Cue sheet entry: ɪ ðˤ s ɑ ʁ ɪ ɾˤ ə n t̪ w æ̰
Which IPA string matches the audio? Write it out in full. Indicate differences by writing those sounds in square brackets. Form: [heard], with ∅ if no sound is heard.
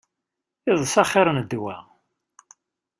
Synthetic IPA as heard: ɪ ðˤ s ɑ [χ] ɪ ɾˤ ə n [d̪] w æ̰